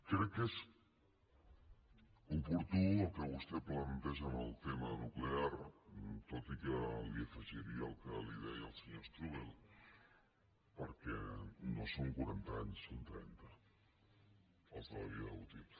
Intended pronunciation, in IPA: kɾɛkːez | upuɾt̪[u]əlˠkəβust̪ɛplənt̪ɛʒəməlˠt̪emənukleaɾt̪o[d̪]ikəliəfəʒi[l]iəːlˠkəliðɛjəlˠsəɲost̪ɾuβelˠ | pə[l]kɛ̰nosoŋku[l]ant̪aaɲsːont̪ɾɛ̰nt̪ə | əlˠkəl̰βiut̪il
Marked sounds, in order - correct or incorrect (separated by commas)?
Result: correct, incorrect, incorrect, incorrect, incorrect